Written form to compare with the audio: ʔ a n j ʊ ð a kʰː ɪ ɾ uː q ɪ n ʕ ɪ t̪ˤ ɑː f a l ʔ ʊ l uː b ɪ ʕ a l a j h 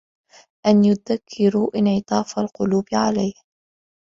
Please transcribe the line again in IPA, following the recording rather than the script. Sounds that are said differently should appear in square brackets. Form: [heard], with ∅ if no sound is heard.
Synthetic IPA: ʔ a n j ʊ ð a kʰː ɪ ɾ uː [ʔ] ɪ n ʕ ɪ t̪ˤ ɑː f a l [q] ʊ l uː b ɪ ʕ a l a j h